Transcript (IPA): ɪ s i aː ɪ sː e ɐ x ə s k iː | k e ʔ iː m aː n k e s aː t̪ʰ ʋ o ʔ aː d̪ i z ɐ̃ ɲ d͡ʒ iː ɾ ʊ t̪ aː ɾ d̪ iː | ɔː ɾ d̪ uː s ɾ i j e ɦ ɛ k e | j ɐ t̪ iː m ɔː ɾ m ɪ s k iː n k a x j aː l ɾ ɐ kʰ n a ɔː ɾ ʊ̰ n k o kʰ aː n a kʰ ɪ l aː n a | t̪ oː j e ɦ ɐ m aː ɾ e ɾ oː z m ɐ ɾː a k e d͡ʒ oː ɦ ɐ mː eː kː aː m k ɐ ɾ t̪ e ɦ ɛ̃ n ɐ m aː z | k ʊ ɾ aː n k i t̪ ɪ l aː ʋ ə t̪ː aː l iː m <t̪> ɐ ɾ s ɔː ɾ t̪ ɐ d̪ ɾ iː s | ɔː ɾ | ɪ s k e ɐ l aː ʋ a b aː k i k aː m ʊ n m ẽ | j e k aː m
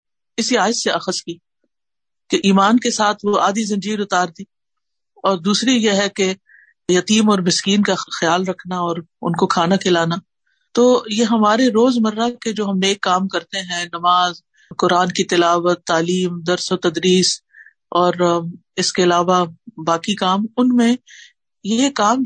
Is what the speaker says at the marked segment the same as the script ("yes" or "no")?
no